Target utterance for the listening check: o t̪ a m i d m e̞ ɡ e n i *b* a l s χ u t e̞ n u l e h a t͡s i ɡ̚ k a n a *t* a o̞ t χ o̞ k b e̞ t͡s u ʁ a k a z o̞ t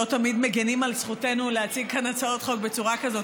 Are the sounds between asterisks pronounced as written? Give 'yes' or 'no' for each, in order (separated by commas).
no, no